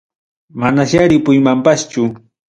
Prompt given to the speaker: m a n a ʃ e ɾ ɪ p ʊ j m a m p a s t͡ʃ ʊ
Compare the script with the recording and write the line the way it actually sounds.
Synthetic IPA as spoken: m a n a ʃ a ɾ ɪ p ʊ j m a m p a s t͡ʃ ʊ